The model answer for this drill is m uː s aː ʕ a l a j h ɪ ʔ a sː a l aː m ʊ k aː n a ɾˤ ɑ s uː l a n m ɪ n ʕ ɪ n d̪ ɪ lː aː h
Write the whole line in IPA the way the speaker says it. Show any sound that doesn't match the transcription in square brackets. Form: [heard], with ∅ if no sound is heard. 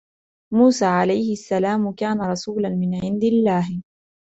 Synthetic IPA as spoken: m uː s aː ʕ a l a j h ɪ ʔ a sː a l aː m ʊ k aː n a ɾˤ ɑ s uː l a n m ɪ n ʕ ɪ n d̪ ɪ lː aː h